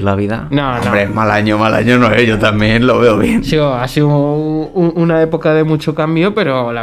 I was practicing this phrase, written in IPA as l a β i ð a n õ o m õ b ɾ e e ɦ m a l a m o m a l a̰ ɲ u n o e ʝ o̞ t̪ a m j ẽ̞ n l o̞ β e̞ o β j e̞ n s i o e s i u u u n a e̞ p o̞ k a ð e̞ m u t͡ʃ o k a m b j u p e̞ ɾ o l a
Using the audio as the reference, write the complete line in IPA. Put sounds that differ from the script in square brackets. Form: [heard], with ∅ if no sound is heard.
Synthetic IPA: l a β i ð a n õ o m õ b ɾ e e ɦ m a l a [ɲ] o m a l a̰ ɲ [o] n o e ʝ o̞ t̪ a m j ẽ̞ n l o̞ β e̞ o β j e̞ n s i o [a] s i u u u n a e̞ p o̞ k a ð e̞ m u t͡ʃ o k a m b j [o] p e̞ ɾ o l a